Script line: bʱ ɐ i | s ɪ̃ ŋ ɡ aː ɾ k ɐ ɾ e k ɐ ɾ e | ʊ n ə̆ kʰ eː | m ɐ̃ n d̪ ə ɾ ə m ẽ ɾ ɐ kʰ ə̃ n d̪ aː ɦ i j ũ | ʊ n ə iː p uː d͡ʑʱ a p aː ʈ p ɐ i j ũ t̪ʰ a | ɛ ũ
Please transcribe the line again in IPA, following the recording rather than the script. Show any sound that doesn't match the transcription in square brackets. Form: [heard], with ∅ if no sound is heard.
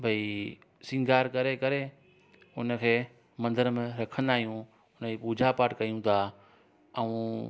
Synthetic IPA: bʱ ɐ i | s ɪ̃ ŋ ɡ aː ɾ k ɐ ɾ e k ɐ ɾ e | ʊ n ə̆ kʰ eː | m ɐ̃ n d̪ ə ɾ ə m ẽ ɾ ɐ kʰ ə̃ n d̪ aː ɦ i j ũ | ʊ n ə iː p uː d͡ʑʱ a p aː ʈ [k] ɐ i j ũ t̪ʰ a | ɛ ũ